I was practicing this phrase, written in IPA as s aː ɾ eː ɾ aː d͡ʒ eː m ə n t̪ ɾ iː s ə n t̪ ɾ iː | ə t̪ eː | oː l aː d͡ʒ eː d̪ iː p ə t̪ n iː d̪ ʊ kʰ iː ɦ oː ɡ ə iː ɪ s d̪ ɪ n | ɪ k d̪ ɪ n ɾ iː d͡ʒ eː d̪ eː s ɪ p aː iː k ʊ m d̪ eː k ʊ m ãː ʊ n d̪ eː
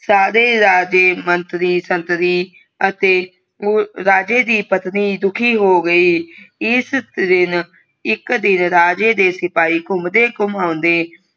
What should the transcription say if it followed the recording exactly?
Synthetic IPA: s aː ɾ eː ɾ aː d͡ʒ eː m ə n t̪ ɾ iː s ə n t̪ ɾ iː | ə t̪ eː | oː ɾ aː d͡ʒ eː d̪ iː p ə t̪ n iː d̪ ʊ kʰ iː ɦ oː ɡ ə iː ɪ s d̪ ɪ n | ɪ k d̪ ɪ n ɾ aː d͡ʒ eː d̪ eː s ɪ p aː iː k ʊ m d̪ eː k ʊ m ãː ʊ n d̪ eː

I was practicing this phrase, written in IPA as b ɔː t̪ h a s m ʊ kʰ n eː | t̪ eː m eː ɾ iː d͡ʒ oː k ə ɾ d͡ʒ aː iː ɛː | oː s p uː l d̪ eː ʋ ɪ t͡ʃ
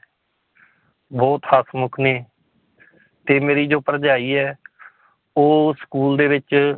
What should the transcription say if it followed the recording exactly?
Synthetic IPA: b ɔː t̪ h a s m ʊ kʰ n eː | t̪ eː m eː ɾ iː d͡ʒ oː p ə ɾ d͡ʒ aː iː ɛː | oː s k uː l d̪ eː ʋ ɪ t͡ʃ

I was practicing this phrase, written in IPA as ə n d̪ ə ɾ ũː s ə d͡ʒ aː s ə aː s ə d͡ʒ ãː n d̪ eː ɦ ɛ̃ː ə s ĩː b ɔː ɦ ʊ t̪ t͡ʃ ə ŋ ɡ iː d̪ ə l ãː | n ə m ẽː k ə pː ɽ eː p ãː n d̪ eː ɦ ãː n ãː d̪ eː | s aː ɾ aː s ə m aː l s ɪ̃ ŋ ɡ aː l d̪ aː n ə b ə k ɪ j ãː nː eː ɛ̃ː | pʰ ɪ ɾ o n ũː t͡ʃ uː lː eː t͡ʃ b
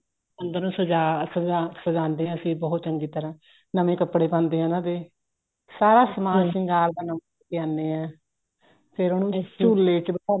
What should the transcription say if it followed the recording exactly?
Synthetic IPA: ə n d̪ ə ɾ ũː s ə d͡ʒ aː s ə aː s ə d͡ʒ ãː n d̪ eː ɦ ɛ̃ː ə s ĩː b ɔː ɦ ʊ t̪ t͡ʃ ə ŋ ɡ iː t̪ ə ɾ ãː | n ə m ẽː k ə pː ɽ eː p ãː n d̪ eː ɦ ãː n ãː d̪ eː | s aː ɾ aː s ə m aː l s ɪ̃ ŋ ɡ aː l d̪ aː n ə m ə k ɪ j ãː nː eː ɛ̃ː | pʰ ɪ ɾ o n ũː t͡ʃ uː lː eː t͡ʃ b

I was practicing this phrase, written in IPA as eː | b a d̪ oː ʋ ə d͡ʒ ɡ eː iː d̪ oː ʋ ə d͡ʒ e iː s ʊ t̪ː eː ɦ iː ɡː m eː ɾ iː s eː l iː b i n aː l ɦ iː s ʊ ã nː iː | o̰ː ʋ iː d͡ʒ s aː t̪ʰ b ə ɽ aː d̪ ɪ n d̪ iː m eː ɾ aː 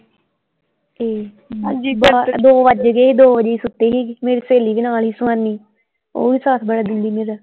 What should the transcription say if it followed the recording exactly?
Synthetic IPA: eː | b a d̪ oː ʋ ə d͡ʒ ɡ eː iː d̪ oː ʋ ə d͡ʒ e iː s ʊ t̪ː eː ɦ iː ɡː m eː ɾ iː s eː l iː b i n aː l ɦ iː s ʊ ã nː iː | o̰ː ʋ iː s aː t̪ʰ b ə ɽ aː d̪ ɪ n d̪ iː m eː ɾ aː

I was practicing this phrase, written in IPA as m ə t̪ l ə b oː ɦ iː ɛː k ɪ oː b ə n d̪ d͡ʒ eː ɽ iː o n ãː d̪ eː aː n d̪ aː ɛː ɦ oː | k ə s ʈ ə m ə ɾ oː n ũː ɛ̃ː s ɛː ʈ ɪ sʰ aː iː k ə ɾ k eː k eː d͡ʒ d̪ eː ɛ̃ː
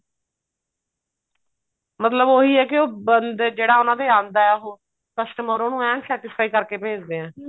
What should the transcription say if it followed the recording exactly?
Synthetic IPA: m ə t̪ l ə b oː ɦ iː ɛː k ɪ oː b ə n d̪ d͡ʒ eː ɽ aː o n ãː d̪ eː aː n d̪ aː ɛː ɦ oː | k ə s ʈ ə m ə ɾ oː n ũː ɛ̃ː s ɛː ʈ ɪ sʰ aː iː k ə ɾ k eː p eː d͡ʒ d̪ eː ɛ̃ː

